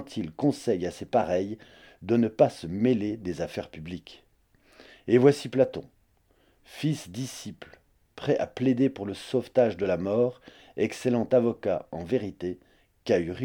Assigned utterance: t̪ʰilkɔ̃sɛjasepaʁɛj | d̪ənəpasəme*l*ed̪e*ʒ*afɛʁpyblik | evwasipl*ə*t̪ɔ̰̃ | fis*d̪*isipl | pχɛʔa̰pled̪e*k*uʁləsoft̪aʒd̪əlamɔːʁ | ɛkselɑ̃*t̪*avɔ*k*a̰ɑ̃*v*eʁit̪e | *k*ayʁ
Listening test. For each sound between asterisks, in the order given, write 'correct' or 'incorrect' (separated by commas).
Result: correct, incorrect, incorrect, correct, incorrect, correct, correct, correct, correct